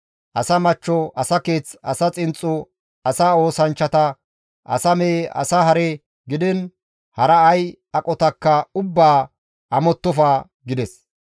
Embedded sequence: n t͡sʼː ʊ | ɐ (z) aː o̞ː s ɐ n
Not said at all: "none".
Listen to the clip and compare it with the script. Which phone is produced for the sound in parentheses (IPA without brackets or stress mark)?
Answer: s